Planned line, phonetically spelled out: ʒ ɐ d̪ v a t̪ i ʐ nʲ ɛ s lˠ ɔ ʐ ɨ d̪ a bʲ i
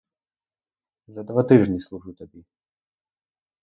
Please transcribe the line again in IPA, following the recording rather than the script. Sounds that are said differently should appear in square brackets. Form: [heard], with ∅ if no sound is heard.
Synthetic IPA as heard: [z] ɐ d̪ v a t̪ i ʐ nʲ [i] s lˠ [u] ʐ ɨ [t̪] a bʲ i